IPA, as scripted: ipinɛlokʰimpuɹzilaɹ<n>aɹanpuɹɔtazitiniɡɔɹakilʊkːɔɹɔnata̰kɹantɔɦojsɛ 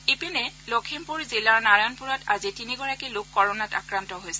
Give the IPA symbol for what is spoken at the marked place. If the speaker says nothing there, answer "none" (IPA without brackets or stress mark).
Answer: n